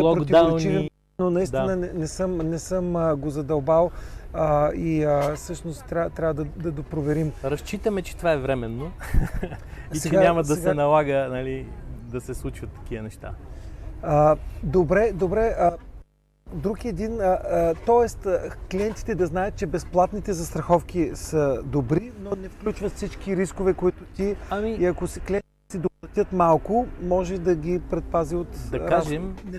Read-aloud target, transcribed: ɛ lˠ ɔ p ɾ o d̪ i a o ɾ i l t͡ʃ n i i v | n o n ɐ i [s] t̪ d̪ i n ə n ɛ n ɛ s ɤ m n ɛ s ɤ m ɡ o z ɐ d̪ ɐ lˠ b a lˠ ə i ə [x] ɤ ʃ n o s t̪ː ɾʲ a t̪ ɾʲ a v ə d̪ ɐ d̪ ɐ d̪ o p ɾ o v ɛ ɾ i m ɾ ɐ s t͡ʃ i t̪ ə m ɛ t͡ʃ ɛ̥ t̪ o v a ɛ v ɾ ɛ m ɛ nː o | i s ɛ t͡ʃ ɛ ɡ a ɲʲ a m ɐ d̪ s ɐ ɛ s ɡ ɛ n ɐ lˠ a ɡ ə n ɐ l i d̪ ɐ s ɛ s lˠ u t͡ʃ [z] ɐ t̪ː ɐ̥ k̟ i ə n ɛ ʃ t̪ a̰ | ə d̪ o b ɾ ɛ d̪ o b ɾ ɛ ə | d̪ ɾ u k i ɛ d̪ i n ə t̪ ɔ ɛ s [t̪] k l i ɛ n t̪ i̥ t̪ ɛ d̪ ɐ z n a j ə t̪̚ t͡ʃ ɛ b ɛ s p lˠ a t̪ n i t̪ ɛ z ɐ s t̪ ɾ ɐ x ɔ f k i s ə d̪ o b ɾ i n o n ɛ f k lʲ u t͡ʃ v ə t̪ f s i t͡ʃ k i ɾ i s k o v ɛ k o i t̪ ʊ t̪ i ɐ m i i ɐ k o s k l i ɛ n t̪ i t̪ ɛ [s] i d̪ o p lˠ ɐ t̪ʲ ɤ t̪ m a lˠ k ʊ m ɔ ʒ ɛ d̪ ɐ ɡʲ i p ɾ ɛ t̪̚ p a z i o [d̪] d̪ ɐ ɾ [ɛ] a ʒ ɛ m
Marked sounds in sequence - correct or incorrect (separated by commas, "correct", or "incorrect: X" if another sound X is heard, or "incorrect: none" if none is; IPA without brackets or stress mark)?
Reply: correct, incorrect: s, incorrect: v, correct, correct, incorrect: t̪, incorrect: a